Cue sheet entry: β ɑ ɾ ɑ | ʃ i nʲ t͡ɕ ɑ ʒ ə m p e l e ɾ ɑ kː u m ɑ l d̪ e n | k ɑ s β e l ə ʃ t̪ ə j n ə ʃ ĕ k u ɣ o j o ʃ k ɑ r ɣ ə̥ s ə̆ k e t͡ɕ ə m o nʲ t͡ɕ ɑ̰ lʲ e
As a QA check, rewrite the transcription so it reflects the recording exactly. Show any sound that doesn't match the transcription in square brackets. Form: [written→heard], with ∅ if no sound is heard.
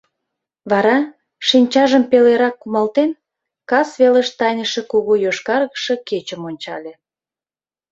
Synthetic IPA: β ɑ ɾ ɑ | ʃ i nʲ t͡ɕ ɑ ʒ ə m p e l e ɾ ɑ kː u m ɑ l [d̪→t̪] e n | k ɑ s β e l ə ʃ t̪ [ə→ɑ] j n ə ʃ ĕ k u ɣ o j o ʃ k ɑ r ɣ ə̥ [s→ʃ] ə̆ k e t͡ɕ ə m o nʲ t͡ɕ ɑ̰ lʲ e